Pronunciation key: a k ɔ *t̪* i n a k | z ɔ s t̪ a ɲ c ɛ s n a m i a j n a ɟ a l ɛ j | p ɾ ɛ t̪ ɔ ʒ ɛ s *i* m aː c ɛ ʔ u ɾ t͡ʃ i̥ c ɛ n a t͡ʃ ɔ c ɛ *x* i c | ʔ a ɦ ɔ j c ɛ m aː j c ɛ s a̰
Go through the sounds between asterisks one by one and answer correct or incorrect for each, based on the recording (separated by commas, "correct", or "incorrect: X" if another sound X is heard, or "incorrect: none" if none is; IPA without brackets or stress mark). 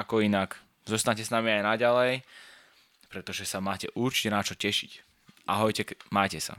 incorrect: none, incorrect: a, incorrect: ʃ